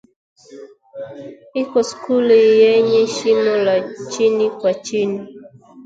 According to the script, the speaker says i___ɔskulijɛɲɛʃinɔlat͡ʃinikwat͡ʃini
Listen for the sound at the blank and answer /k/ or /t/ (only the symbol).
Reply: k